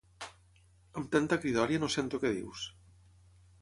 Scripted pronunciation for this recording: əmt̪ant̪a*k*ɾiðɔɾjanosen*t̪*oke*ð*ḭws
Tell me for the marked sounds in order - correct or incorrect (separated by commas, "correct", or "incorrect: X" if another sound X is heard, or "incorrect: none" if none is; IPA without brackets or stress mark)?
correct, correct, correct